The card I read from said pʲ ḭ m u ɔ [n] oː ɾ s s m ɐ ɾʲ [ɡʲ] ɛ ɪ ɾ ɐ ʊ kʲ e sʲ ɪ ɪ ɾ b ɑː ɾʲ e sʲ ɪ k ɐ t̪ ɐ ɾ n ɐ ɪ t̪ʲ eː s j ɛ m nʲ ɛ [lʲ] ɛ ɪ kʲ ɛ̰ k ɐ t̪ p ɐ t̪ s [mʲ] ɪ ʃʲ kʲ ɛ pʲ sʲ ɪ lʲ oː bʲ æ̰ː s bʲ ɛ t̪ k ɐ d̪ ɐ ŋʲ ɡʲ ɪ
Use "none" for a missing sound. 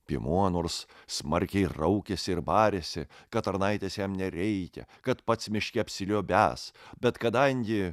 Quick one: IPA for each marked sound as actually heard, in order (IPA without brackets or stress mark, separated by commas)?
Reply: n, kʲ, ɾʲ, mʲ